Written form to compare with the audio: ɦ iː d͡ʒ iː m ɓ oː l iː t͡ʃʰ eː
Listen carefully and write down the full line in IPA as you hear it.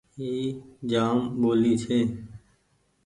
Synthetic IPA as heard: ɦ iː d͡ʒ aː m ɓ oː l iː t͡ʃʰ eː